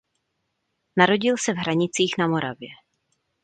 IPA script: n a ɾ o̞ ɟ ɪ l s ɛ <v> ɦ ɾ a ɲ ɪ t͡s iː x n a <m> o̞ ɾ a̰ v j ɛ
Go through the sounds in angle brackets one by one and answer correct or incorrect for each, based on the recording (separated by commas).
correct, correct